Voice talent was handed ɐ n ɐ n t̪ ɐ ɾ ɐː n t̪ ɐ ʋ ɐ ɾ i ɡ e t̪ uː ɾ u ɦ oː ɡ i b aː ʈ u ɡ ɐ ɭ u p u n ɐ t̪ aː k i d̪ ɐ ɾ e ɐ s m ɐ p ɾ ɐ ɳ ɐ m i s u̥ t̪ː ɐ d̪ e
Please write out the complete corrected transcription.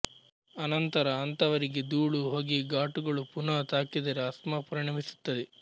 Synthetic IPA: ɐ n ɐ n t̪ ɐ ɾ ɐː n t̪ ɐ ʋ ɐ ɾ i ɡ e d̪ uː ɭ u ɦ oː ɡ i ɡ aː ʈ u ɡ ɐ ɭ u p u n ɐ t̪ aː k i d̪ ɐ ɾ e ɐ s m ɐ p ɾ ɐ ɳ ɐ m i s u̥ t̪ː ɐ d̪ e

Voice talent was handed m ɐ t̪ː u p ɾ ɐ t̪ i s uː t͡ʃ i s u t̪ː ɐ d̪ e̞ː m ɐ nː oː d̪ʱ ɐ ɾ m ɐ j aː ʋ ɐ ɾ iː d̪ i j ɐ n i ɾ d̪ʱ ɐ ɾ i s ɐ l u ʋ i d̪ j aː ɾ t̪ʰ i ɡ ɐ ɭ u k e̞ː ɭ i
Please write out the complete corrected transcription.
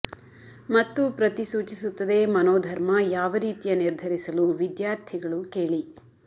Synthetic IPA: m ɐ t̪ː u p ɾ ɐ t̪ i s uː t͡ʃ i s u t̪ː ɐ d̪ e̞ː m ɐ n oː d̪ʱ ɐ ɾ m ɐ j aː ʋ ɐ ɾ iː t̪ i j ɐ n i ɾ d̪ʱ ɐ ɾ i s ɐ l u ʋ i d̪ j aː ɾ t̪ʰ i ɡ ɐ ɭ u k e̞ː ɭ i

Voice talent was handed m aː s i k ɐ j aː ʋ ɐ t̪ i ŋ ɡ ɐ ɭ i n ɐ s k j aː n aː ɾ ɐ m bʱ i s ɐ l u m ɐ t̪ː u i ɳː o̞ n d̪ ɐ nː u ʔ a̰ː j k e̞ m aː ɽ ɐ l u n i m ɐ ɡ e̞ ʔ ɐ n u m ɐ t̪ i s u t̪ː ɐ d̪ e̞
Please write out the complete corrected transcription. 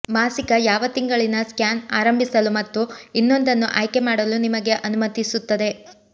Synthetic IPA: m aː s i k ɐ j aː ʋ ɐ t̪ i ŋ ɡ ɐ ɭ i n ɐ s k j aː n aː ɾ ɐ m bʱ i s ɐ l u m ɐ t̪ː u i nː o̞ n d̪ ɐ nː u ʔ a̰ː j k e̞ m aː ɽ ɐ l u n i m ɐ ɡ e̞ ʔ ɐ n u m ɐ t̪ i s u t̪ː ɐ d̪ e̞

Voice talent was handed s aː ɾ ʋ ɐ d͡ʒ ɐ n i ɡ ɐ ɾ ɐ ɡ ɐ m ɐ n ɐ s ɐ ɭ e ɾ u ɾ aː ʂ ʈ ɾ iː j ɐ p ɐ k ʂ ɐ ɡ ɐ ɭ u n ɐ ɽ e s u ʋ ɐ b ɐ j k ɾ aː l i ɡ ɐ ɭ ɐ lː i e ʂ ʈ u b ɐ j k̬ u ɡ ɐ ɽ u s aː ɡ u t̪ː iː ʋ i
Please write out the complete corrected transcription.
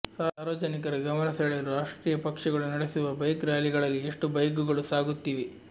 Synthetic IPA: s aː ɾ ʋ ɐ d͡ʒ ɐ n i k ɐ ɾ ɐ ɡ ɐ m ɐ n ɐ s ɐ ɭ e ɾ u ɾ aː ʂ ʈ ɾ iː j ɐ p ɐ k ʂ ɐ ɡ ɐ ɭ u n ɐ ɽ e s u ʋ ɐ b ɐ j k ɾ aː l i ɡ ɐ ɭ ɐ lː i e ʂ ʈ u b ɐ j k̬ u ɡ ɐ ɭ u s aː ɡ u t̪ː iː ʋ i

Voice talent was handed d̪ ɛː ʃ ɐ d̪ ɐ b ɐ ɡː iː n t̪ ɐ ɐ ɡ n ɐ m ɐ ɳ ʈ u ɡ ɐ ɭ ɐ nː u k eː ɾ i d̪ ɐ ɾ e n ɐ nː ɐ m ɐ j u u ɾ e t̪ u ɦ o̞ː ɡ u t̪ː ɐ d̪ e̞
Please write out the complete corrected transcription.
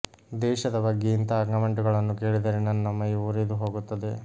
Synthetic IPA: d̪ ɛː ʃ ɐ d̪ ɐ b ɐ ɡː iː n t̪ ɐ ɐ ɡ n ɐ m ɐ ɳ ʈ u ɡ ɐ ɭ ɐ nː u k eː ɭ i d̪ ɐ ɾ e n ɐ nː ɐ m ɐ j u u ɾ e d̪ u ɦ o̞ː ɡ u t̪ː ɐ d̪ e̞

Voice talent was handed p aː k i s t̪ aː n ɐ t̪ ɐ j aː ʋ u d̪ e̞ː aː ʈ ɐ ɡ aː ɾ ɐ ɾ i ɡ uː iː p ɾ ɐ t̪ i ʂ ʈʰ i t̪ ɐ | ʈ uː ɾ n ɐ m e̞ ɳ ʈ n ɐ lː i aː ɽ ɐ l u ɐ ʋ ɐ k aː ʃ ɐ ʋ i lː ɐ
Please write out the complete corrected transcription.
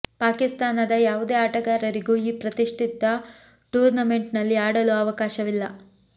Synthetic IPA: p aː k i s t̪ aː n ɐ d̪ ɐ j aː ʋ u d̪ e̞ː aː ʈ ɐ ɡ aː ɾ ɐ ɾ i ɡ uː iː p ɾ ɐ t̪ i ʂ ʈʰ i t̪ ɐ | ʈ uː ɾ n ɐ m e̞ ɳ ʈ n ɐ lː i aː ɽ ɐ l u ɐ ʋ ɐ k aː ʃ ɐ ʋ i lː ɐ

